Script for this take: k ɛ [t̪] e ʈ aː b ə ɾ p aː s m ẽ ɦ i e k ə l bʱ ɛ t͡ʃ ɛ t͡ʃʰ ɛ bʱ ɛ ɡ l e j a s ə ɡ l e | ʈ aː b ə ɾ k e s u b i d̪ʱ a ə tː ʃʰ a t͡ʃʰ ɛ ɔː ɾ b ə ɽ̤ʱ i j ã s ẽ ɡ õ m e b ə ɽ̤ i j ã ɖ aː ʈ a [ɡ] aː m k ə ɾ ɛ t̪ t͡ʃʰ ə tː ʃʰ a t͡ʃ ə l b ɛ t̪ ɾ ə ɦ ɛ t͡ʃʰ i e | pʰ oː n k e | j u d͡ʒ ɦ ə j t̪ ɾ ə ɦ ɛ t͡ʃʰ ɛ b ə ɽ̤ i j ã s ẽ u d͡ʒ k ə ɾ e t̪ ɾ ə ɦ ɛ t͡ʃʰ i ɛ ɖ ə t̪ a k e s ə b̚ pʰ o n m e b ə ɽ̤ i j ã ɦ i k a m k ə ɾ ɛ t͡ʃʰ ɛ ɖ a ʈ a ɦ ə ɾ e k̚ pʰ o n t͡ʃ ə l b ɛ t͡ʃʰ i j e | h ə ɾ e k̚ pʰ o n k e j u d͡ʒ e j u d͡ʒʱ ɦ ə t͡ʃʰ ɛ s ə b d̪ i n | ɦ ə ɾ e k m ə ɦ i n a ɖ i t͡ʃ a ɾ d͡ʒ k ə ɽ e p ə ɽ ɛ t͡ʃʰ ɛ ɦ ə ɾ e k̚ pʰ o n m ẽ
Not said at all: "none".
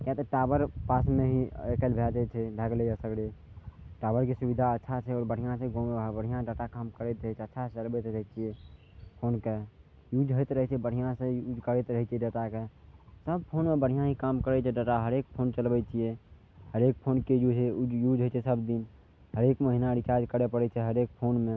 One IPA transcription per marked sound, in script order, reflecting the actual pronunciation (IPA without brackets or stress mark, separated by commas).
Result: t̪, k